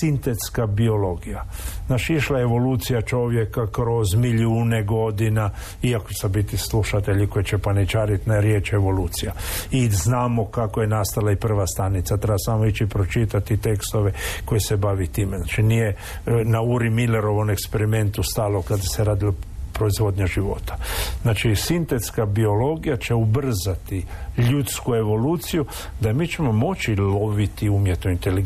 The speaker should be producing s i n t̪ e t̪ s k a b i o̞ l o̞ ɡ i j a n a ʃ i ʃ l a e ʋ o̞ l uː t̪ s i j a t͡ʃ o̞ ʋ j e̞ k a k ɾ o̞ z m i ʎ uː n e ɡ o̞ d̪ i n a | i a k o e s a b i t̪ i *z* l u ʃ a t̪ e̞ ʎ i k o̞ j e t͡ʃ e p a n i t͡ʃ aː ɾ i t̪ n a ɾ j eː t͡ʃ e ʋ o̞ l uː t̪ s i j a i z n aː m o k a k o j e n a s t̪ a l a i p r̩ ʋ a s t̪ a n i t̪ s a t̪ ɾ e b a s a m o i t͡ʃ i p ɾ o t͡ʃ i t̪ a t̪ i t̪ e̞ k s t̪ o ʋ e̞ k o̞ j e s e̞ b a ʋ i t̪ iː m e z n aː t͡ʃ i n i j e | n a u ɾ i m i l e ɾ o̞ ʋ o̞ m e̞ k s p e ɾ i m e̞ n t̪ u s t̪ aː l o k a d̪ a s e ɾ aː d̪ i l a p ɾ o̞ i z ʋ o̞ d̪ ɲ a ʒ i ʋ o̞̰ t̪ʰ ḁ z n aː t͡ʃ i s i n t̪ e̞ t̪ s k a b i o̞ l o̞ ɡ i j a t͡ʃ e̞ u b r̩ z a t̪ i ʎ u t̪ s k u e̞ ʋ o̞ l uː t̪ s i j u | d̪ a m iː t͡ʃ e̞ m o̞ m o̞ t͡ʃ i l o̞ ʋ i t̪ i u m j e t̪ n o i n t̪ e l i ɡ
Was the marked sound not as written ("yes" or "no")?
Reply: yes